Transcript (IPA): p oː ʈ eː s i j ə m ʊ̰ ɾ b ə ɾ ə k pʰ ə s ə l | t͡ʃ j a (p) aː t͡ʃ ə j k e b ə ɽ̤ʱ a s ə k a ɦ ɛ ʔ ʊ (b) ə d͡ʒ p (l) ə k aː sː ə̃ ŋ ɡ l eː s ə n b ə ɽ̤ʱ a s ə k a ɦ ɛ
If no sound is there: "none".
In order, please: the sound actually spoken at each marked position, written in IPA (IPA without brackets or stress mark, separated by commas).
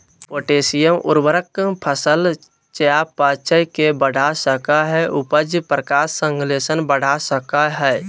p, p, ɾ